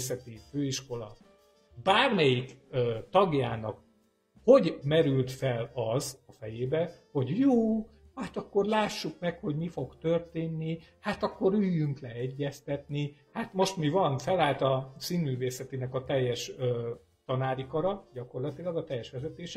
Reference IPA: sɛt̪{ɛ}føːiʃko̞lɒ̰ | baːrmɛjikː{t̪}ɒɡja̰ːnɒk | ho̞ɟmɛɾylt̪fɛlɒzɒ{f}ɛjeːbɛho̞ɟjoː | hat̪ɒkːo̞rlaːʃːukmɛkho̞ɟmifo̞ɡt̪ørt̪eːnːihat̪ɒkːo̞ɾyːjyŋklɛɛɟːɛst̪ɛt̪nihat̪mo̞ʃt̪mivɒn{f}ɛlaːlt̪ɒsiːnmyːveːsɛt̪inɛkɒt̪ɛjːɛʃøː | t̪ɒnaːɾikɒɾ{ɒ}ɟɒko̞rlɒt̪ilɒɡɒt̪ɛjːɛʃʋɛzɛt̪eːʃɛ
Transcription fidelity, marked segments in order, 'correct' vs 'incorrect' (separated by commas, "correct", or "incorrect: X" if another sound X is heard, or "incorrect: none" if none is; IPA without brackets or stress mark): incorrect: i, correct, correct, correct, correct